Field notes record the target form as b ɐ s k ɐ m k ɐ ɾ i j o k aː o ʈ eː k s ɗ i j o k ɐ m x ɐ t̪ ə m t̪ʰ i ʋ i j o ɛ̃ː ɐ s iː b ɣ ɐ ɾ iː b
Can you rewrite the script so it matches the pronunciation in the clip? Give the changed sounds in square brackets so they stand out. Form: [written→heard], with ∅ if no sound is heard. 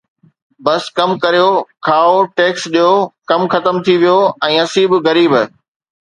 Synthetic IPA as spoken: b ɐ s k ɐ m k ɐ ɾ i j o [k→kʰ] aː o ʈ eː k s ɗ i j o k ɐ m x ɐ t̪ ə m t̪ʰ i ʋ i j o ɛ̃ː ɐ s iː b ɣ ɐ ɾ iː b